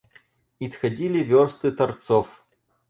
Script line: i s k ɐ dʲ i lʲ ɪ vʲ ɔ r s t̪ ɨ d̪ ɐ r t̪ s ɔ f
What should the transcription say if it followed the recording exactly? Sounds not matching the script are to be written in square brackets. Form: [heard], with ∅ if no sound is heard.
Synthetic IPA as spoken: i s [x] ɐ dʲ i lʲ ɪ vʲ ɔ r s t̪ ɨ [t̪] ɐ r t̪ s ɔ f

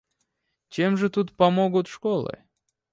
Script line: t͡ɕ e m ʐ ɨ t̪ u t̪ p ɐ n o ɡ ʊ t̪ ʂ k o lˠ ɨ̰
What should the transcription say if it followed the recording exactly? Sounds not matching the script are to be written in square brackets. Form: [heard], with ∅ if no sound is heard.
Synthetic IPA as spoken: t͡ɕ e m ʐ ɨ t̪ u t̪ p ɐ [m] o ɡ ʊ t̪ ʂ k o lˠ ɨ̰

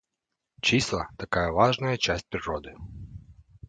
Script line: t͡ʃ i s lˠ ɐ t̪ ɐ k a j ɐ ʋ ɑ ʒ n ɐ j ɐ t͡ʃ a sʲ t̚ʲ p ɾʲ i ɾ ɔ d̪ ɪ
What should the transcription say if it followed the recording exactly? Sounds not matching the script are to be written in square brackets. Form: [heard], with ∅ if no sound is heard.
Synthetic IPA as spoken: t͡ʃ i s lˠ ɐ t̪ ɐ k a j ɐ ʋ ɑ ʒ n ɐ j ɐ t͡ʃ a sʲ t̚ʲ p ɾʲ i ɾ ɔ d̪ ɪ

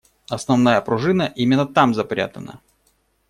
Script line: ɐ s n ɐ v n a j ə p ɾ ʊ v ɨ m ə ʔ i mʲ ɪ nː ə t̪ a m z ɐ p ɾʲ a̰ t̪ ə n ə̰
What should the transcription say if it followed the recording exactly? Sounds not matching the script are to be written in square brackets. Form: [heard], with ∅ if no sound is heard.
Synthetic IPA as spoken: ɐ s n ɐ v n a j ə p ɾ ʊ [ʐ] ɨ [n] ə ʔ i mʲ ɪ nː ə t̪ a m z ɐ p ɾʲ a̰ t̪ ə n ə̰

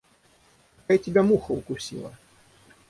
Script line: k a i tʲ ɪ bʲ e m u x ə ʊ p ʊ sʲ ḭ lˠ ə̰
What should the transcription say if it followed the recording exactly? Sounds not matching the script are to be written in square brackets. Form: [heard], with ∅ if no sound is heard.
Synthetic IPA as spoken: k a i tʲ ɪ bʲ [a] m u x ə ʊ [k] ʊ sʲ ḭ lˠ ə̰

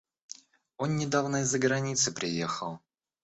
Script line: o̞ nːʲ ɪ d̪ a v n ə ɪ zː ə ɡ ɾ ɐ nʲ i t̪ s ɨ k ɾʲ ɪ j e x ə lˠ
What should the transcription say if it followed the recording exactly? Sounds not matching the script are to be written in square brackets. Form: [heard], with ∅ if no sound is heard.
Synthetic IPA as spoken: o̞ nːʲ ɪ d̪ a v n ə ɪ zː ə ɡ ɾ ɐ nʲ i t̪ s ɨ [p] ɾʲ ɪ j e x ə lˠ

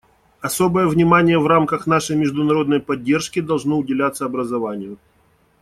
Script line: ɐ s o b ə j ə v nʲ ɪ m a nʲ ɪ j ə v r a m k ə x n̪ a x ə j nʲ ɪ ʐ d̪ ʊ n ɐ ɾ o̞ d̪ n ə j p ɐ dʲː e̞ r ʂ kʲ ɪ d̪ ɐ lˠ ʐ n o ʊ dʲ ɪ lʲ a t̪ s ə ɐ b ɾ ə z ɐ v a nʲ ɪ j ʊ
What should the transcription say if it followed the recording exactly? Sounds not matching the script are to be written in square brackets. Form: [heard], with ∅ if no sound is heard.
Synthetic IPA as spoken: ɐ s o b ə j ə v nʲ ɪ m a nʲ ɪ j ə v r a m k ə x n̪ a [ʂ] ə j [mʲ] ɪ ʐ d̪ ʊ n ɐ ɾ o̞ d̪ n ə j p ɐ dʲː e̞ r ʂ kʲ ɪ d̪ ɐ lˠ ʐ n o ʊ dʲ ɪ lʲ a t̪ s ə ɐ b ɾ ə z ɐ v a nʲ ɪ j ʊ

